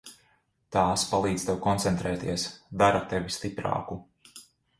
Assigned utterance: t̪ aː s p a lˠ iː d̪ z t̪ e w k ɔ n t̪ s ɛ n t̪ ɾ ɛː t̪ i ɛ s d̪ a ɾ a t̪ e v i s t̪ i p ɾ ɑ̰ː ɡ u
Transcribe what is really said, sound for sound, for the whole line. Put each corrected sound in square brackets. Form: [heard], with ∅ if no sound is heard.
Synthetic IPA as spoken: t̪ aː s p a lˠ iː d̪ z t̪ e w k ɔ n t̪ s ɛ n t̪ ɾ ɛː t̪ i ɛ s d̪ a ɾ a t̪ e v i s t̪ i p ɾ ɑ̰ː [k] u